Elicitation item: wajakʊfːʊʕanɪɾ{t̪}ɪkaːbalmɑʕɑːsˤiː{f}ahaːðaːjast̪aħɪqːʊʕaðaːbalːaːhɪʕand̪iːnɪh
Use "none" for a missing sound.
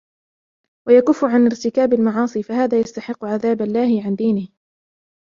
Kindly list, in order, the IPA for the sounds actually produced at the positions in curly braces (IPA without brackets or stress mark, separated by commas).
t̪, f